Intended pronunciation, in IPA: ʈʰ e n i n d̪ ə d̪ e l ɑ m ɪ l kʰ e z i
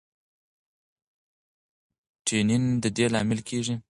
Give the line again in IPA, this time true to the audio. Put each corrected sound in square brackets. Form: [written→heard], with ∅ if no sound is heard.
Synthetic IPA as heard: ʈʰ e n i n d̪ ə d̪ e l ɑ m ɪ l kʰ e [z→ʐ] i

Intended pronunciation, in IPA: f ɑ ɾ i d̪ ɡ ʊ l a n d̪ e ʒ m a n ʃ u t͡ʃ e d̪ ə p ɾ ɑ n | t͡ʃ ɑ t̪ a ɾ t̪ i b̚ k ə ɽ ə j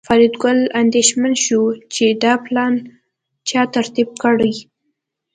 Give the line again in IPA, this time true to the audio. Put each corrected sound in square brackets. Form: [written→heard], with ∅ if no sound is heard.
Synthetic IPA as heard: f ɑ ɾ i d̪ ɡ ʊ l a n d̪ e [ʒ→ʃ] m a n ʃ u t͡ʃ e d̪ [ə→ɑ] p [ɾ→l] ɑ n | t͡ʃ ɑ t̪ a ɾ t̪ i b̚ k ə ɽ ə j

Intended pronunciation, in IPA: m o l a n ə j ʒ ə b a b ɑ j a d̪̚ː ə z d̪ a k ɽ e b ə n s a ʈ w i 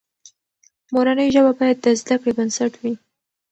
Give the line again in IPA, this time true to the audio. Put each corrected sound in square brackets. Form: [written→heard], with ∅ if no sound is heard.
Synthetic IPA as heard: m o [l→ɾ] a n ə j ʒ ə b a b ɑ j a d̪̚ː ə z d̪ a k ɽ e b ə n s a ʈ w i

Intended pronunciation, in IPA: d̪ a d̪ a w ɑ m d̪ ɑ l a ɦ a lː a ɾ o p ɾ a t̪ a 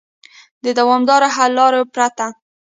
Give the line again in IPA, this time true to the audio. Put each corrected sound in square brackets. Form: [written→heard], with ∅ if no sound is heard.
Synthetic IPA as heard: d̪ [a→ə] d̪ a w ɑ m d̪ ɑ [l→ɾ] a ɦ a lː [a→ɑ] ɾ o p ɾ a t̪ a

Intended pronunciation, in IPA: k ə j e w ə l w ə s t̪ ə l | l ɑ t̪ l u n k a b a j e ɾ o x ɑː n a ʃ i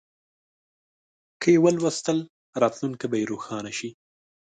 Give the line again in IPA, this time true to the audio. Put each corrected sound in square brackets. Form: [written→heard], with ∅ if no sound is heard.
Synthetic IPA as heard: k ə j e w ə l w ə s t̪ ə l | [l→ɾ] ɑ t̪ l u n k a b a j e ɾ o x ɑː n a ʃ i

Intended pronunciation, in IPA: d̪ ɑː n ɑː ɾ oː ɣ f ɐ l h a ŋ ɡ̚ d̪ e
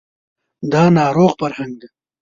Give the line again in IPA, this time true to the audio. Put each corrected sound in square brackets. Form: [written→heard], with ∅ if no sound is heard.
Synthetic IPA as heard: d̪ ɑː n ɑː ɾ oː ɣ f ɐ [l→ɾ] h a ŋ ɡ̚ d̪ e

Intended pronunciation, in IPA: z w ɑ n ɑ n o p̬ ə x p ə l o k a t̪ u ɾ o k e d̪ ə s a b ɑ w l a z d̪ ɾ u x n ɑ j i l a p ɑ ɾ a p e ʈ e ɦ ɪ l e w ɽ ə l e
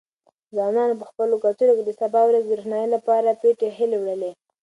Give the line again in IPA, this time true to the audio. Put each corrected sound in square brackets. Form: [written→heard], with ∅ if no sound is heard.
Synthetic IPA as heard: z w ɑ n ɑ n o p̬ ə x p ə l o k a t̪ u ɾ o k e d̪ ə s a b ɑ w [l→ɾ] a z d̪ ɾ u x n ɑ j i l a p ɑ ɾ a p e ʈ e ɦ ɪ l e w ɽ ə l e

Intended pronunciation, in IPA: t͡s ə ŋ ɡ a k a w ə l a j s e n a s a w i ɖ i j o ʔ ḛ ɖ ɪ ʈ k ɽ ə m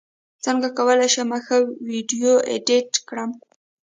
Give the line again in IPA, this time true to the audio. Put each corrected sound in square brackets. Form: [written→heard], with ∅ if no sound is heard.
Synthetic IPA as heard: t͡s ə ŋ ɡ a k a w ə l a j [s→ʃ] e [n→m] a [s→x] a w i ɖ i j o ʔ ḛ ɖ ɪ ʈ k ɽ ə m

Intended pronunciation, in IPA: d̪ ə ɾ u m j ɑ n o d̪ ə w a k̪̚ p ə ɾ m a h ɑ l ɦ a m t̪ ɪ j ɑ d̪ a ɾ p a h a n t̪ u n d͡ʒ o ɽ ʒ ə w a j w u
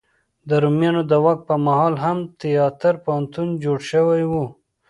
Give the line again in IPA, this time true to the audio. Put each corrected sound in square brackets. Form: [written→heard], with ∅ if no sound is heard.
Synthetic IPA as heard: d̪ ə ɾ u m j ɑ n o d̪ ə w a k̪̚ p ə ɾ m a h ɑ l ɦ a m t̪ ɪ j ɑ [d̪→t̪] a ɾ p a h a n t̪ u n d͡ʒ o ɽ [ʒ→ʃ] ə w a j w u

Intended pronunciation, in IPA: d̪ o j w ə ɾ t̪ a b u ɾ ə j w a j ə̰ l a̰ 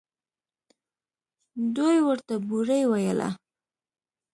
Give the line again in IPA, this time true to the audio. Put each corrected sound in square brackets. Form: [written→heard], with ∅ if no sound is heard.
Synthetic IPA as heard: d̪ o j w ə ɾ t̪ a b u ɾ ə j w a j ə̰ l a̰

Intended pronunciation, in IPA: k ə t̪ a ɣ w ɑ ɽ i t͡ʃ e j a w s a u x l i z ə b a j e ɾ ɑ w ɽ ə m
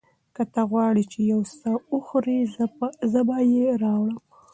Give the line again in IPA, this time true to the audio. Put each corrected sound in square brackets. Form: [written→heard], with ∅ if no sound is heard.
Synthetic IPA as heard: k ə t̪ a ɣ w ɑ ɽ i t͡ʃ e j a w s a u x [l→ɾ] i z ə b a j e ɾ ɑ w ɽ ə m

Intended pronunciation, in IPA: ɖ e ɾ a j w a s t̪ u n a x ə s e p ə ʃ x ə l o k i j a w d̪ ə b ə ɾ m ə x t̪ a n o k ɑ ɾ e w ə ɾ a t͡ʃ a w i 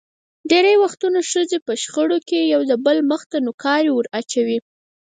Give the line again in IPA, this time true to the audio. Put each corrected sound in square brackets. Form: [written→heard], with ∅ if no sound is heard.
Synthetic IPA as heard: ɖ e ɾ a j w a [s→x] t̪ u n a [x→ʃ] ə [s→z] e p ə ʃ x ə [l→ɽ] o k [i→e] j a w d̪ ə b ə [ɾ→l] m ə x t̪ a n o k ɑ ɾ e w ə ɾ a t͡ʃ a w i

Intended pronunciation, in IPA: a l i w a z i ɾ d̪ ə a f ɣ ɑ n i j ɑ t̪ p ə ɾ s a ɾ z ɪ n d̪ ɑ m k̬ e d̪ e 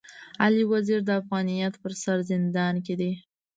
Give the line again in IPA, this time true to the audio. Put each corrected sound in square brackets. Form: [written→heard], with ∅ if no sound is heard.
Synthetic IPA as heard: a l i w a z i ɾ d̪ ə a f ɣ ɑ n i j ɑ t̪ p ə ɾ s a ɾ z ɪ n d̪ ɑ [m→n] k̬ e d̪ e

